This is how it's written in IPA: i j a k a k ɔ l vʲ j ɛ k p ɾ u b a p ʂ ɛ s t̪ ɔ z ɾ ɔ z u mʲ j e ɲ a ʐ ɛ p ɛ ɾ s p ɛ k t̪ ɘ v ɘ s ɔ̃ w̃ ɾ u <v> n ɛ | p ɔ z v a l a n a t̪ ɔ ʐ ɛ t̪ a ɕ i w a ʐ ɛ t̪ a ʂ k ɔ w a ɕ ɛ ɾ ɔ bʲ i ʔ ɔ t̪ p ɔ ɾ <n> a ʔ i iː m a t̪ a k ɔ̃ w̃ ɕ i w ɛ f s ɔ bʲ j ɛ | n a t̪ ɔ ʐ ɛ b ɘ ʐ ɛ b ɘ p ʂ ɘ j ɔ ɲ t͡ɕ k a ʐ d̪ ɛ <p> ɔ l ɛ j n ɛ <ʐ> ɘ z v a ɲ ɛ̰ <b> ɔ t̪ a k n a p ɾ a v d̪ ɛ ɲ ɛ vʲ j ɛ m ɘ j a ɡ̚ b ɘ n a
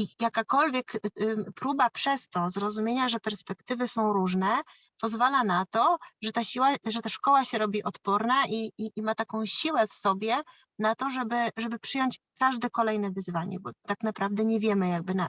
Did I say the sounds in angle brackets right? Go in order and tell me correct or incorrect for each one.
incorrect: ʐ, correct, incorrect: k, incorrect: v, correct

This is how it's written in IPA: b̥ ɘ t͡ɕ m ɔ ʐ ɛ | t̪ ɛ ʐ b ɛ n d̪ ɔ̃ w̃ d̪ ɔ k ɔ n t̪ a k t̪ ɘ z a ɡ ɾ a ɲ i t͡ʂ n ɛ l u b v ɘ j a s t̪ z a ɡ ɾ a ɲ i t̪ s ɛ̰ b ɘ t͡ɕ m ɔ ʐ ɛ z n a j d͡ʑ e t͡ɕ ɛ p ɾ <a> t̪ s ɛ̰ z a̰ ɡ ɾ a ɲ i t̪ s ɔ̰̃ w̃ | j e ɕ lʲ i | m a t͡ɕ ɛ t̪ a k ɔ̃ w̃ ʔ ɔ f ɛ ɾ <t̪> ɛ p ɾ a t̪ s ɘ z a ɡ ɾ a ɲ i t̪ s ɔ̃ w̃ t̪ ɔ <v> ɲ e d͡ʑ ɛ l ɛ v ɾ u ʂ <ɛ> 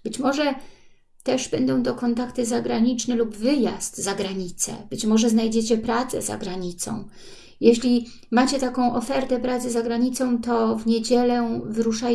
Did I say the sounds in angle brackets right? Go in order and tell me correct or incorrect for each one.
correct, correct, correct, incorrect: a

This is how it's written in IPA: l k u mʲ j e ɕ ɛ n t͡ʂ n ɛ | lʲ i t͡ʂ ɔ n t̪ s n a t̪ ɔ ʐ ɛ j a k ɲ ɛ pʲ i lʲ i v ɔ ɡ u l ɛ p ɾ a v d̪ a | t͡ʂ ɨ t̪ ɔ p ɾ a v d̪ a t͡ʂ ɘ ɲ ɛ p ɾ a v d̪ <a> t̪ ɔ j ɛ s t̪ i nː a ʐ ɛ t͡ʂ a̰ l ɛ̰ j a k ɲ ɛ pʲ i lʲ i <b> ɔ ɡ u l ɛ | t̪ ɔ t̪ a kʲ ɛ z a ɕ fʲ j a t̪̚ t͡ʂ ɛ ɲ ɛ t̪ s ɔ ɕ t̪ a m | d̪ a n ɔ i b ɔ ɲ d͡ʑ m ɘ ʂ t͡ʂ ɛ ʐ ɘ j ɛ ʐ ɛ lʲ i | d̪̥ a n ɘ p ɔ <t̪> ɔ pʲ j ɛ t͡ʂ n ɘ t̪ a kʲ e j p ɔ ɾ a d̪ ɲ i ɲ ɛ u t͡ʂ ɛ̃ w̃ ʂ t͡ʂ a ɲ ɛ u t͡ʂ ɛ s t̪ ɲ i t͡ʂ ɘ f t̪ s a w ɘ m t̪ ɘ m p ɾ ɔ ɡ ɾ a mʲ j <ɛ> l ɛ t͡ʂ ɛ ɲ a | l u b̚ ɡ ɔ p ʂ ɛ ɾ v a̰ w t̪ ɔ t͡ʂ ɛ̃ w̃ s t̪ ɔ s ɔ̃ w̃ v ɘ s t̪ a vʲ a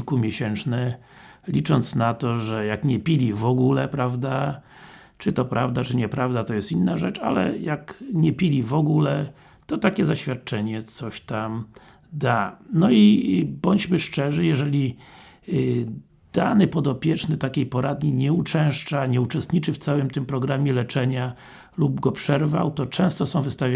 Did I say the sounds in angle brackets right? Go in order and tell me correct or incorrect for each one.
correct, incorrect: v, incorrect: d̪, correct

